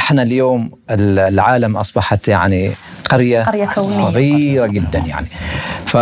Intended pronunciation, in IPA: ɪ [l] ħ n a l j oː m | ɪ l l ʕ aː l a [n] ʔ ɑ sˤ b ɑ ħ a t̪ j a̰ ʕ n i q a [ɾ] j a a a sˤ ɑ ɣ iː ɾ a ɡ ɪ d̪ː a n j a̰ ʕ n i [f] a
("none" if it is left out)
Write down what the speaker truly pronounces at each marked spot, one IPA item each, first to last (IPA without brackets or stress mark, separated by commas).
none, m, ɾ, f